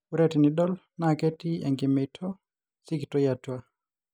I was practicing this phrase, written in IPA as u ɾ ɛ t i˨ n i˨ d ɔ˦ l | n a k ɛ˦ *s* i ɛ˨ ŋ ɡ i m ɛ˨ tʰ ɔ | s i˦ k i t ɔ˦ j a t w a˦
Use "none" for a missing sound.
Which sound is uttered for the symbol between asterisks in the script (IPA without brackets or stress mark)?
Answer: t